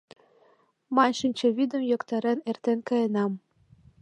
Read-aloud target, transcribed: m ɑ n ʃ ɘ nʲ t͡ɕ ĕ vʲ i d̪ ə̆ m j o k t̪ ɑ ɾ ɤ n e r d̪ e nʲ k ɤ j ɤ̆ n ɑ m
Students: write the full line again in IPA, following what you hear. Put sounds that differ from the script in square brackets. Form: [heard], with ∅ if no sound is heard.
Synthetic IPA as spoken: m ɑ n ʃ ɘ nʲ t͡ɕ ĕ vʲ i d̪ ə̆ m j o k t̪ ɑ ɾ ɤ n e r [t̪] e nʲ k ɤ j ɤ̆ n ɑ m